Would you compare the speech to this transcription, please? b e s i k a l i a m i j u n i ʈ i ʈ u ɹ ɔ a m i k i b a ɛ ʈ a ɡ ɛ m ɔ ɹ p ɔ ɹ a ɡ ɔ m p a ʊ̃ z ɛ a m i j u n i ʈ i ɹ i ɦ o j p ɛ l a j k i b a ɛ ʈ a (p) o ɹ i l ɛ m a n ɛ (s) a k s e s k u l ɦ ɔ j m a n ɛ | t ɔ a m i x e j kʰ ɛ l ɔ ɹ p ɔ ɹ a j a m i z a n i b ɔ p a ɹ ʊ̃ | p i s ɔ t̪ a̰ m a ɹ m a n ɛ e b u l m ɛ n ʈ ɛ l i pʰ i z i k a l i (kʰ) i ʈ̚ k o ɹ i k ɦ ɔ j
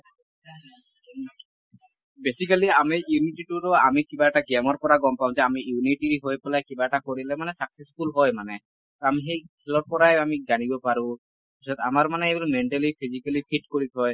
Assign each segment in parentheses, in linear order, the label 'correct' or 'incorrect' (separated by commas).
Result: incorrect, correct, incorrect